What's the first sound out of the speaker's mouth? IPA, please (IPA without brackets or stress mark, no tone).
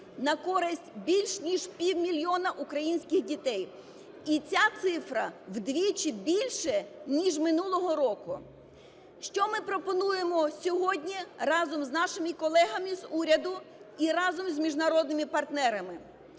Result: n